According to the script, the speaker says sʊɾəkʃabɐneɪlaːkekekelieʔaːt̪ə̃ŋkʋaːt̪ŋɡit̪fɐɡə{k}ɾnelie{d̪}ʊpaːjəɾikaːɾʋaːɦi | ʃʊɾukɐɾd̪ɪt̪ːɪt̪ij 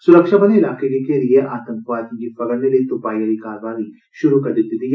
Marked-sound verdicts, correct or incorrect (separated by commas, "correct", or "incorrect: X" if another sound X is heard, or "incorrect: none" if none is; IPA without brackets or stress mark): incorrect: none, incorrect: t̪